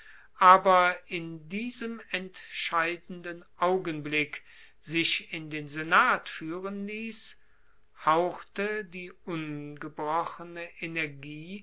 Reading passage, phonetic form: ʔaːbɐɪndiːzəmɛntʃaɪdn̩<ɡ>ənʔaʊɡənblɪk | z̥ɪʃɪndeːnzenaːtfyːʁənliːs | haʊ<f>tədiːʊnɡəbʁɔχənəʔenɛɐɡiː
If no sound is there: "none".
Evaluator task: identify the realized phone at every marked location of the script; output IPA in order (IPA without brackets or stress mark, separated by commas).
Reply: d, x